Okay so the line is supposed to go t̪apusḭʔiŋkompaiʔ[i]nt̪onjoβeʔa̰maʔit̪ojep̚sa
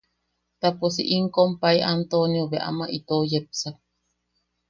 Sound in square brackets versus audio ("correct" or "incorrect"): incorrect